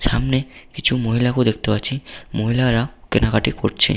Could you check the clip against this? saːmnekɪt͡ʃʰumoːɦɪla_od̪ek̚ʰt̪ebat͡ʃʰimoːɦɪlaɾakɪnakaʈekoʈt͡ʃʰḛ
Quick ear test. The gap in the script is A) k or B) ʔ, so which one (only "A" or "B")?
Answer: A